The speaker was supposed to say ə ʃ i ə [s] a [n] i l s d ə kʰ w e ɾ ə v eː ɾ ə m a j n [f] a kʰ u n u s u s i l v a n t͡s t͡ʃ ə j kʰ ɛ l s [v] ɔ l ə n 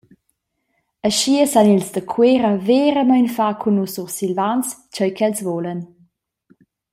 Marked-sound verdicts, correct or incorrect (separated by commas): correct, correct, correct, correct